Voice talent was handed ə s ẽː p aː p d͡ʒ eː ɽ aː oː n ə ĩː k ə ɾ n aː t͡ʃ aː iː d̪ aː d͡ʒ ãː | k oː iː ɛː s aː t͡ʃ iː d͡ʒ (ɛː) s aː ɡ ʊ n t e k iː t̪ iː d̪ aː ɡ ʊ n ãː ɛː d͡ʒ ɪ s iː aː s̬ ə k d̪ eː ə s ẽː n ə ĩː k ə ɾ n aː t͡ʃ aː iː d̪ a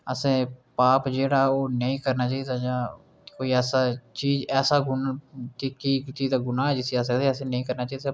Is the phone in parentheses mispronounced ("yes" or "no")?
no